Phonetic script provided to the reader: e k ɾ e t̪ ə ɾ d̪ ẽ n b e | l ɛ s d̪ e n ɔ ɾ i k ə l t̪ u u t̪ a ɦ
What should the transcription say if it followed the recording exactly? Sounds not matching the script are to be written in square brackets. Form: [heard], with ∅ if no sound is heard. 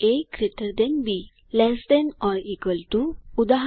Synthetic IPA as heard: e k ɾ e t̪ ə ɾ d̪ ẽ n b [i] | l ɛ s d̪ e n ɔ ɾ i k ə l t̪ u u [d̪] a ɦ